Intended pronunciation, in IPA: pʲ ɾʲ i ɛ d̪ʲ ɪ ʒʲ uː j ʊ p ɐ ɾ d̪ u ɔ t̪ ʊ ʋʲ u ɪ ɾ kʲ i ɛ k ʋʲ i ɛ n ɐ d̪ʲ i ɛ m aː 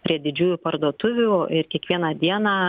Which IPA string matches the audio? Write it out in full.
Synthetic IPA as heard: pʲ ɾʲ i ɛ d̪ʲ ɪ d͡ʒʲ uː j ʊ p ɐ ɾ d̪ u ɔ t̪ ʊ ʋʲ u ɪ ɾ kʲ i ɛ k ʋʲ i ɛ n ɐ d̪ʲ i ɛ n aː